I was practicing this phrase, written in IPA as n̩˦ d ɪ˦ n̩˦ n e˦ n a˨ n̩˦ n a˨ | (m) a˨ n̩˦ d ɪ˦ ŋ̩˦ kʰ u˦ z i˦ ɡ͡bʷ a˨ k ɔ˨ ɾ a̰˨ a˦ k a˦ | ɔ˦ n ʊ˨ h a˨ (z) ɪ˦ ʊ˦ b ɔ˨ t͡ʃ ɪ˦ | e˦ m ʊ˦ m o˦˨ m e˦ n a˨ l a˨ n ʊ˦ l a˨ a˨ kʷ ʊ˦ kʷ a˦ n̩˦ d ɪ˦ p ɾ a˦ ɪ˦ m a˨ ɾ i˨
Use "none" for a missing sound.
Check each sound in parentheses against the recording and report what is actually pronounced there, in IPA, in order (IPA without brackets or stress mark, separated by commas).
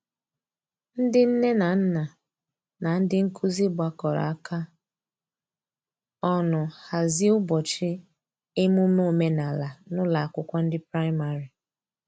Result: n, z